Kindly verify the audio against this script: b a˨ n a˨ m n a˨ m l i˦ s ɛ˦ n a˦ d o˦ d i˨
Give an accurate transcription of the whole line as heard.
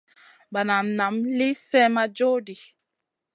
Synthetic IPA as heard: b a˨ n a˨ m n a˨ m l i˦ s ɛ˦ m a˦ d͡ʒ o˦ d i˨